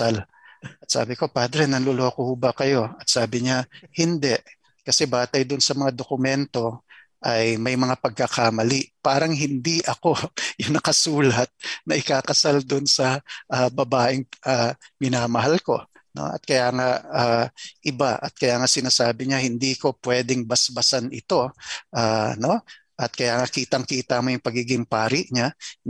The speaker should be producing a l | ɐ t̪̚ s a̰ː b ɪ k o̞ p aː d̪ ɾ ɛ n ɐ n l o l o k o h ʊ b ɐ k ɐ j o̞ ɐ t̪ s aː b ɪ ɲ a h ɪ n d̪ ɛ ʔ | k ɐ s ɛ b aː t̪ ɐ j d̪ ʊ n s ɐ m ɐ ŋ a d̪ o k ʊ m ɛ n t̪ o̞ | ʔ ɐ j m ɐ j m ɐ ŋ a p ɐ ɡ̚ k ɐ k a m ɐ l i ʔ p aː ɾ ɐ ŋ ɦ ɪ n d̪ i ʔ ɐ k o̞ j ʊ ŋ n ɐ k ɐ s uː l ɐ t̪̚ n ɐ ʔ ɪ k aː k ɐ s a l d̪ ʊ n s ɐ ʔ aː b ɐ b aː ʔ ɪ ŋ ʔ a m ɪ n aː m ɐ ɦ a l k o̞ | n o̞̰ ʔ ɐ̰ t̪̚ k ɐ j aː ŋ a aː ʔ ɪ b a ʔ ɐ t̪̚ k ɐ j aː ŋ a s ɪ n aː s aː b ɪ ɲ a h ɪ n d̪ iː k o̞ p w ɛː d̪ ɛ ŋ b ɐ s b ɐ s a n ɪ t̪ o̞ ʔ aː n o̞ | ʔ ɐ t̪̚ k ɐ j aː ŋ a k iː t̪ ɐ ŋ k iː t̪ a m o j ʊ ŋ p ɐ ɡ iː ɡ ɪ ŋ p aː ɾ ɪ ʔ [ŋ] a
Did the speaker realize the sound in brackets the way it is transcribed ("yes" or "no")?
no